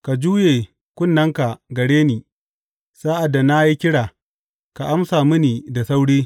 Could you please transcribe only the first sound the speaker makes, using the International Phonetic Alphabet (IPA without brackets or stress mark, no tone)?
k